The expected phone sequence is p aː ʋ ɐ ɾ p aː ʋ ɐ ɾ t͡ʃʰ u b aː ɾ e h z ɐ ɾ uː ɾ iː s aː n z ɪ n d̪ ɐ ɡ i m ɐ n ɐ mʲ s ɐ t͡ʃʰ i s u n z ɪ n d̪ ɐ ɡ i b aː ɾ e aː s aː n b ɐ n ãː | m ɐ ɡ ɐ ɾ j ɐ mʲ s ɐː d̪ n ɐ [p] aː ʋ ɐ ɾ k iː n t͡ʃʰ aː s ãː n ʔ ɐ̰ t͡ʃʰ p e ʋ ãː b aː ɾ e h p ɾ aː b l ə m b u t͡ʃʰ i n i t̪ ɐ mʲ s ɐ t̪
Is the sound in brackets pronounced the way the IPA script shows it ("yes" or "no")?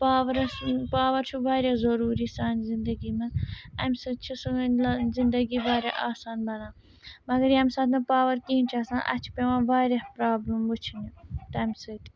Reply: yes